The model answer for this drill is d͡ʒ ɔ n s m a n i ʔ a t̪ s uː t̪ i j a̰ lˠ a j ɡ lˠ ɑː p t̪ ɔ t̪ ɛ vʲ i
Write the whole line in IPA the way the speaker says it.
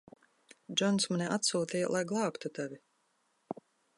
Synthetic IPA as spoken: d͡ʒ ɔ n s m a n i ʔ a t̪ s uː t̪ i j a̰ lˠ a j ɡ lˠ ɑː p t̪ u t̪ a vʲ i